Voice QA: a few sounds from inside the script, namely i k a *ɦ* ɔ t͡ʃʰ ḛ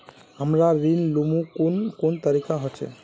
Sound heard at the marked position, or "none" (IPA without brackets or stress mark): ɦ